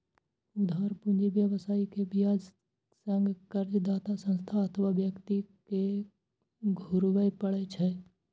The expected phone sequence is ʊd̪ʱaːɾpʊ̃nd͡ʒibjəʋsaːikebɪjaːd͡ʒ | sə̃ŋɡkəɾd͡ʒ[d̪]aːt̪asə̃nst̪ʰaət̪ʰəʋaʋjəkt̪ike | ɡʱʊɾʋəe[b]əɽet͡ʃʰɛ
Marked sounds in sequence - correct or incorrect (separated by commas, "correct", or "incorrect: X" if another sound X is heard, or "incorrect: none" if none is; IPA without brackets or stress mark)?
correct, incorrect: p